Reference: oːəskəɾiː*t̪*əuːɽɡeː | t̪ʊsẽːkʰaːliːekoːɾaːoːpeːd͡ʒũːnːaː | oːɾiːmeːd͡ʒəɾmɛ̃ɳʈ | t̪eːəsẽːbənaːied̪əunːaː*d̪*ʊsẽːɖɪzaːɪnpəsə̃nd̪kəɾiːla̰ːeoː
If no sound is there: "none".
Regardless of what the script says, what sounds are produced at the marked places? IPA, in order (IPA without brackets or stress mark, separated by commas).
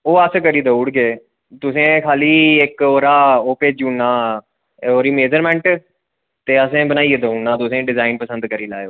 d̪, t̪